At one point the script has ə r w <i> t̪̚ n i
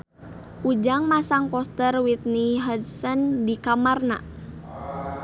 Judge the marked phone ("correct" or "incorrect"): correct